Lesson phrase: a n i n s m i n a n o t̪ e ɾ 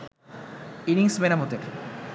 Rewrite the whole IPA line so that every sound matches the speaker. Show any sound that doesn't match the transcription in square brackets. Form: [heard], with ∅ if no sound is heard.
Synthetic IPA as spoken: [i] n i [ŋ] s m [e] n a [m] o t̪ e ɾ